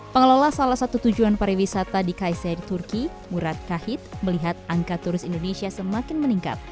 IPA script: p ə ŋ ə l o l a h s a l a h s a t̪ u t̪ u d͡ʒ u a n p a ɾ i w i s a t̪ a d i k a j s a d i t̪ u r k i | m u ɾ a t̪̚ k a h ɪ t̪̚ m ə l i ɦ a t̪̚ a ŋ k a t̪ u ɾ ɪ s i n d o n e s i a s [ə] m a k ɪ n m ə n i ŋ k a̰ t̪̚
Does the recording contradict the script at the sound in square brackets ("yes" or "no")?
no